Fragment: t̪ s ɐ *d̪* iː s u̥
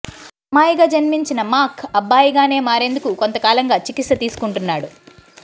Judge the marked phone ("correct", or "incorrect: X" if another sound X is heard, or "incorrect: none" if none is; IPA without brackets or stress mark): incorrect: t̪